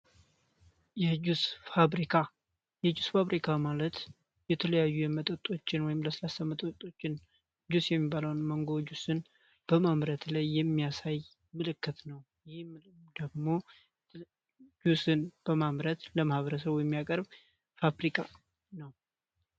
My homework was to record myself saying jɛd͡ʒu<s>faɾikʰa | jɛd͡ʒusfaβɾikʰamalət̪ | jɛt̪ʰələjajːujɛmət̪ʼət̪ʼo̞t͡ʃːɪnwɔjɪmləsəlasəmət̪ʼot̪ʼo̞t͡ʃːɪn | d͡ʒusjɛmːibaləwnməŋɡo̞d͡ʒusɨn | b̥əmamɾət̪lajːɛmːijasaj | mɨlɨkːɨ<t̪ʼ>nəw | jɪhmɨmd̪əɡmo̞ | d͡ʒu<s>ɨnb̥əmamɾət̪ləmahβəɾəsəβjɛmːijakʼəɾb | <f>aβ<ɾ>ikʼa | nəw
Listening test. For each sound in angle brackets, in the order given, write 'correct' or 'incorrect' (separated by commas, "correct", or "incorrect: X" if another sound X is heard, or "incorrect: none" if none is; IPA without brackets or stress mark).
correct, incorrect: t̪, correct, correct, correct